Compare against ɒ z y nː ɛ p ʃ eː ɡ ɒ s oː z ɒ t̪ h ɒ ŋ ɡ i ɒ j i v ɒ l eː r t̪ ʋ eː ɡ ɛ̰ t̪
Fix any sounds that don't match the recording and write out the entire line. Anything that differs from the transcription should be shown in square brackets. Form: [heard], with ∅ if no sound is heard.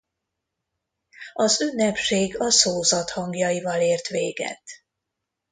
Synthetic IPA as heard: ɒ z y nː ɛ p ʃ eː ɡ ɒ s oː z ɒ t̪ h ɒ ŋ ɡ [j] ɒ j i v ɒ l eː r t̪ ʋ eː ɡ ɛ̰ t̪